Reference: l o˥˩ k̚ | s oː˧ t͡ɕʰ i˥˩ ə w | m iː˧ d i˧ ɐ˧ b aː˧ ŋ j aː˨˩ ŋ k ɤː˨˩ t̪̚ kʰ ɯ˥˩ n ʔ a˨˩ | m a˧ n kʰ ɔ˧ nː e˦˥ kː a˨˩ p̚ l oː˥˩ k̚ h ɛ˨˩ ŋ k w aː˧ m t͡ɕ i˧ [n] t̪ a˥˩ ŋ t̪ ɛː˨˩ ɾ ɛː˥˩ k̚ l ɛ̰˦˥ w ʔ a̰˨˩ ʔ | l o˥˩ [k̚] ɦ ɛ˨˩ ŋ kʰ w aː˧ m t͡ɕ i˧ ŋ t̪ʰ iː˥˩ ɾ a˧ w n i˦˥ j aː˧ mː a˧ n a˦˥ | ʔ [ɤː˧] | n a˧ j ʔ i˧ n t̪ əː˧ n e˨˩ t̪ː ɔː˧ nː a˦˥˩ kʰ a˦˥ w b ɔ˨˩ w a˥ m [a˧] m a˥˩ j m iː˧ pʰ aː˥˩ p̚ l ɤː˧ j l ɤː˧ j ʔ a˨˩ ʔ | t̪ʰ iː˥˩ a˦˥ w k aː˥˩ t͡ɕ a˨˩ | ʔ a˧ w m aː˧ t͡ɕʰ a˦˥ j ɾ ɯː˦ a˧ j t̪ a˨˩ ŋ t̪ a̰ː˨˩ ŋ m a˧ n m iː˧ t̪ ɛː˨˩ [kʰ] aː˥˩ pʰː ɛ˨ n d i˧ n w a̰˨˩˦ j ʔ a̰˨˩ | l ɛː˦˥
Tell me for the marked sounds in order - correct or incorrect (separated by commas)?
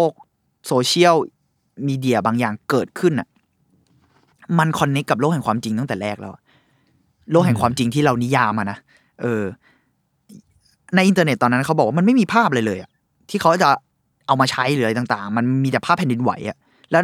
incorrect, correct, correct, correct, incorrect